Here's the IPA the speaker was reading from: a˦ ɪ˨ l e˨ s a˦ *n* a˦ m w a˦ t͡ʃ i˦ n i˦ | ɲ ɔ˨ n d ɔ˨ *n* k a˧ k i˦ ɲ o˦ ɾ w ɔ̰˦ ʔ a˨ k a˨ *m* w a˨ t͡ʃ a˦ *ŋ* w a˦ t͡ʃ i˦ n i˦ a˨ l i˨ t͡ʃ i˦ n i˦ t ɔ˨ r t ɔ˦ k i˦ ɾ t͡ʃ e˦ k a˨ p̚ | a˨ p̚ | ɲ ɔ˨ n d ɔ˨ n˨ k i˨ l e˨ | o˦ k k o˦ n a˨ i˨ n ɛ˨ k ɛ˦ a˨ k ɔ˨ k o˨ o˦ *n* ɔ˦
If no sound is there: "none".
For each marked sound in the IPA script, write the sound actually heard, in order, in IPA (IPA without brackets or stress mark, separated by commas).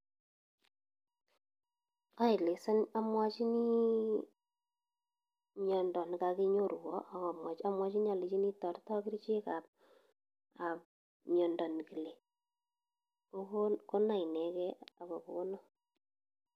n, n, m, m, n